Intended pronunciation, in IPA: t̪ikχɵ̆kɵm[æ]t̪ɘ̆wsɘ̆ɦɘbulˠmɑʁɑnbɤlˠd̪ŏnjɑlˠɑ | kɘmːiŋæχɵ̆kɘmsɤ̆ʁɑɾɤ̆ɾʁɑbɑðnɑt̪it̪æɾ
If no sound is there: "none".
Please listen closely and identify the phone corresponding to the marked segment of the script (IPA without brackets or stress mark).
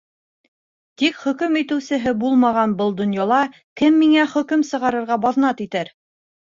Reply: i